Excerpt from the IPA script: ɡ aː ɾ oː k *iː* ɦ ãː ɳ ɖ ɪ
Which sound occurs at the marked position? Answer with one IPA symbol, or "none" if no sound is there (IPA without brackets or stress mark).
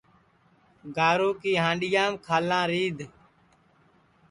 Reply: iː